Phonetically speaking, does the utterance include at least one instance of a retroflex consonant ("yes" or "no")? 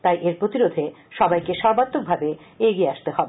no